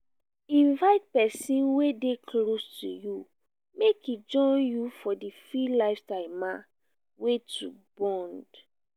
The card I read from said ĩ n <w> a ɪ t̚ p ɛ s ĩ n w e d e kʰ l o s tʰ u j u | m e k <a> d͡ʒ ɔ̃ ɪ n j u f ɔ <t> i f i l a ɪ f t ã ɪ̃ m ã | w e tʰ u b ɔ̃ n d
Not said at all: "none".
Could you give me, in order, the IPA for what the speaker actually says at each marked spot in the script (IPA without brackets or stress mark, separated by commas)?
v, i, d